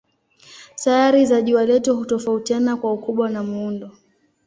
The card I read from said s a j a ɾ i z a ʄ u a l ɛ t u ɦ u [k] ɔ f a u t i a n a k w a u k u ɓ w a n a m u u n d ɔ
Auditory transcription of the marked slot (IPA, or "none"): t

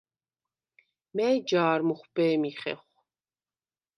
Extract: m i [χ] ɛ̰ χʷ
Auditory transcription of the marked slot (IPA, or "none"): χ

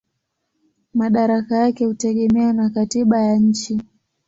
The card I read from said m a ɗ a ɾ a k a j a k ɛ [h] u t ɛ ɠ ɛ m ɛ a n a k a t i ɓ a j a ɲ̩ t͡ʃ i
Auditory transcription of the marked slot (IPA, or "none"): h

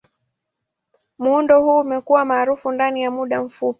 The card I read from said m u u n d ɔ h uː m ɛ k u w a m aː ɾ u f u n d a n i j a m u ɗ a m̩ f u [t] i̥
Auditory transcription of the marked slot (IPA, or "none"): p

